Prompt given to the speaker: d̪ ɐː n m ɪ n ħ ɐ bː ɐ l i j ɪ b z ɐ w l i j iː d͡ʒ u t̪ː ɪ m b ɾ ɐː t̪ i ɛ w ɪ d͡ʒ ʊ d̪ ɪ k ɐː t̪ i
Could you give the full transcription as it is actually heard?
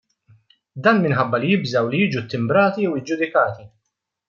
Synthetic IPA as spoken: d̪ ɐː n m ɪ n ħ ɐ bː ɐ l i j ɪ b z ɐ w l i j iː d͡ʒ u t̪ː ɪ m b ɾ ɐː t̪ i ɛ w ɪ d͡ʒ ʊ d̪ ɪ k ɐː t̪ i